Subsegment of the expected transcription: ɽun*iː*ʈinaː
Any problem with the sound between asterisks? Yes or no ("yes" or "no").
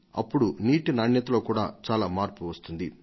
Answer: no